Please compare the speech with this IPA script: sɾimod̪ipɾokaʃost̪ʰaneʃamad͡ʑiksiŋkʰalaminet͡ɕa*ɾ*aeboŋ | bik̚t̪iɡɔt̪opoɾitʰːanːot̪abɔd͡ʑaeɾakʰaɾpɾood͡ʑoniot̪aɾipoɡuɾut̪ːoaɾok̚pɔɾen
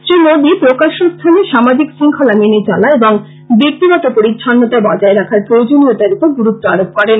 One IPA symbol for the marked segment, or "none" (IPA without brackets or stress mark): l